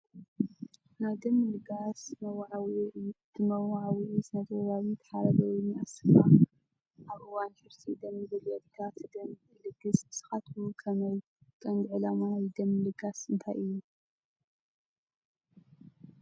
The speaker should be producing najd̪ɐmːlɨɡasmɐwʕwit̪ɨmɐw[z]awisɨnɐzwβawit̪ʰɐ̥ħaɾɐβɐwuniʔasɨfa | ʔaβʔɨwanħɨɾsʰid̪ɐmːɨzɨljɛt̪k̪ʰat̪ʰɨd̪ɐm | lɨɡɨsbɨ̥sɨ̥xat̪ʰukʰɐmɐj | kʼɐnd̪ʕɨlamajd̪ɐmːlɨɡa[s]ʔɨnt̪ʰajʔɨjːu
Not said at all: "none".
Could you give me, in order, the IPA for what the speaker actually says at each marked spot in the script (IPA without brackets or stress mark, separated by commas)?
ʕ, s